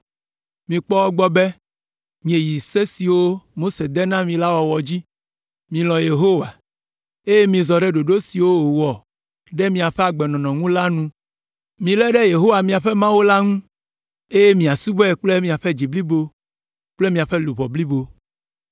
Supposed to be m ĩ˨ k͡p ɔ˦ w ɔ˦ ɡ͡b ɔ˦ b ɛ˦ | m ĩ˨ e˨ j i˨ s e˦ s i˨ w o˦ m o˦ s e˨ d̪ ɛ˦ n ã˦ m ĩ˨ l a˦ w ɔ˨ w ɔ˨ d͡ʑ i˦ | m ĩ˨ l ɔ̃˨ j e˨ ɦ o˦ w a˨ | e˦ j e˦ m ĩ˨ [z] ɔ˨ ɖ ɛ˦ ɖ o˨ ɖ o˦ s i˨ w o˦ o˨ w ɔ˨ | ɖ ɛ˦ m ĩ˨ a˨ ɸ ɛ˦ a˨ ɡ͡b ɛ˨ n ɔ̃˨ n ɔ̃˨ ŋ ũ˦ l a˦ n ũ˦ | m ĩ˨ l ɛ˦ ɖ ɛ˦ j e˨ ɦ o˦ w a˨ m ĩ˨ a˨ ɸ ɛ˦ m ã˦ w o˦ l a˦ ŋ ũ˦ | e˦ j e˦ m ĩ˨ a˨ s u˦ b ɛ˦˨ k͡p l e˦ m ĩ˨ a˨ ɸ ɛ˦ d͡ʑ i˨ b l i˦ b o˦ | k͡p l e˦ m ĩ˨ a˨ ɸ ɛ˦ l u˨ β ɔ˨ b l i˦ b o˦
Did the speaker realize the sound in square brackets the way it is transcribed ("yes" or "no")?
yes